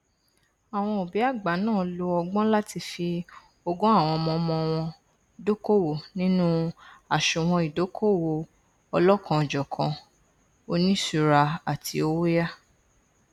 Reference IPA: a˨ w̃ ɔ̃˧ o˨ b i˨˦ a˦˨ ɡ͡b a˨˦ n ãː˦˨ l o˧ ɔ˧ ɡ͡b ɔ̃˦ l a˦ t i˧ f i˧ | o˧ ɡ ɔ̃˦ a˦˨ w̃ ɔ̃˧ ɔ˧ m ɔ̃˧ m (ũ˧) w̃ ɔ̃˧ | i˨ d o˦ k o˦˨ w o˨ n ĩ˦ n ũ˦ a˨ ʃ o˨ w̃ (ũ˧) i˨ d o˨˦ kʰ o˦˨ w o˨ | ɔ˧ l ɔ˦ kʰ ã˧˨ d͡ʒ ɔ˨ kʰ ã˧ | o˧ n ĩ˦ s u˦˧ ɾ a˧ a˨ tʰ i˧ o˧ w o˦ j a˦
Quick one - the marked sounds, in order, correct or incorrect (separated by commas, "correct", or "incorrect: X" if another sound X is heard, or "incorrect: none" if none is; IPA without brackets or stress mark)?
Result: incorrect: ɔ̃˧, incorrect: ɔ̃˧